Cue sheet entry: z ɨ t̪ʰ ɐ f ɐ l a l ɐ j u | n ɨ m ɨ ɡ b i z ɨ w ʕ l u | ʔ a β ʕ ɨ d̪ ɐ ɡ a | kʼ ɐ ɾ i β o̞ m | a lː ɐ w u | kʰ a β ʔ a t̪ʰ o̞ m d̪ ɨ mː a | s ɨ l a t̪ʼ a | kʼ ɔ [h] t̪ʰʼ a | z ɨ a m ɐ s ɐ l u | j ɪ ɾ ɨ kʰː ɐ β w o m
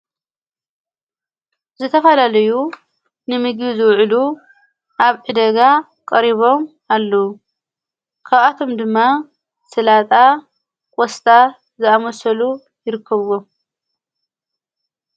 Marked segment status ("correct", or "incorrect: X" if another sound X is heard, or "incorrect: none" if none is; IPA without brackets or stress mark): incorrect: s